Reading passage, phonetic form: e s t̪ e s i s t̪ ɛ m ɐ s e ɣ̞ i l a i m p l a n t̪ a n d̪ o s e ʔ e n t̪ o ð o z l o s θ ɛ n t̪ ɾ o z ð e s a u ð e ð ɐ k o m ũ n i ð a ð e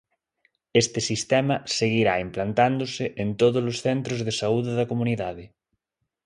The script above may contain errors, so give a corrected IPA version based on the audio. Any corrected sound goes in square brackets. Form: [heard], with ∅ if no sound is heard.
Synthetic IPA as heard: e s t̪ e s i s t̪ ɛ m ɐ s e ɣ̞ i [ɾ] a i m p l a n t̪ a n d̪ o s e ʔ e n t̪ o ð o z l o s θ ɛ n t̪ ɾ o z ð e s a u ð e ð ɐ k o m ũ n i ð a ð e

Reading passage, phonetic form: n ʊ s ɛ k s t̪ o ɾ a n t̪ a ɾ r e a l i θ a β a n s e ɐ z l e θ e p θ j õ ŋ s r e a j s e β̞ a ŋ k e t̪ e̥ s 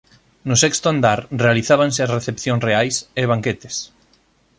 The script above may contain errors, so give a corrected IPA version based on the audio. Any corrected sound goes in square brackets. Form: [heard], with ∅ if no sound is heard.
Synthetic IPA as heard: n ʊ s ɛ k s t̪ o [∅] a n [d̪] a ɾ r e a l i θ a β a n s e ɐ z [r] e θ e p θ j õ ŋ s r e a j s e β̞ a ŋ k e t̪ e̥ s

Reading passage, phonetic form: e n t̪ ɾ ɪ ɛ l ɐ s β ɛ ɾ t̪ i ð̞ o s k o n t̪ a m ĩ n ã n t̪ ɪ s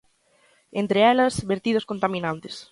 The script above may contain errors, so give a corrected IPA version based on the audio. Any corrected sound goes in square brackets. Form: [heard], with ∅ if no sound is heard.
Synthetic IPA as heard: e n t̪ ɾ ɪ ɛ l ɐ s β [e] ɾ t̪ i ð̞ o s k o n t̪ a m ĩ n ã n t̪ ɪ s

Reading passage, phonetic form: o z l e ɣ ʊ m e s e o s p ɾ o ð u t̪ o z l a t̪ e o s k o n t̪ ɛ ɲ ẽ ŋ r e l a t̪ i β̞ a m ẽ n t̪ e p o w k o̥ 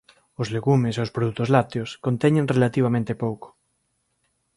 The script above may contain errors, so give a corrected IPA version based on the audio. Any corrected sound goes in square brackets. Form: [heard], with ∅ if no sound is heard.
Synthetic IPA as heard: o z l e ɣ [u] m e s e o s p ɾ o ð u t̪ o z l a t̪ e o s k o n t̪ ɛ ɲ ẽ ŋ r e l a t̪ i β̞ a m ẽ n t̪ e p o w k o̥

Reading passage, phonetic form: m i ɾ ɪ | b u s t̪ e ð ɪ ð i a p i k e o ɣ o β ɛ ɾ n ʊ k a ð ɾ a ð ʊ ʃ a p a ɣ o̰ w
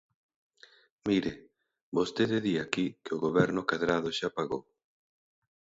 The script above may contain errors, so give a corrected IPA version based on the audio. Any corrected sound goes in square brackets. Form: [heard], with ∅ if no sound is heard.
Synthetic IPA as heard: m i ɾ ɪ | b [o] s t̪ e ð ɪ ð i a [k] i k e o ɣ o β ɛ ɾ n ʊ k a ð ɾ a ð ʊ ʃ a p a ɣ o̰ w

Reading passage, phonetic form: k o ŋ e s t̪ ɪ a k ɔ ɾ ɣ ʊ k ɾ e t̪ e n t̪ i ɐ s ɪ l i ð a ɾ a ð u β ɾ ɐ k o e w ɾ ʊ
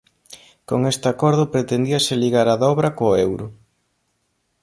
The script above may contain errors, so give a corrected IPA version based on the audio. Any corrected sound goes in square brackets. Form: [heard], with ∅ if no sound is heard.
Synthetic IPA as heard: k o ŋ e s t̪ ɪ a k ɔ ɾ [ð] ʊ [p] ɾ e t̪ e n [d̪] i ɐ s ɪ l i [ɣ] a ɾ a ð [ɔ] β ɾ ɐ k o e w ɾ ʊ

